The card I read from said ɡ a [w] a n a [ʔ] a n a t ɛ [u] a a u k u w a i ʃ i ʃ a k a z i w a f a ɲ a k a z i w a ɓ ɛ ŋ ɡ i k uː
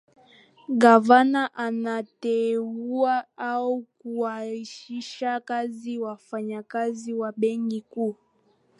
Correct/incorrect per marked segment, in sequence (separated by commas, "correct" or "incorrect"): incorrect, correct, correct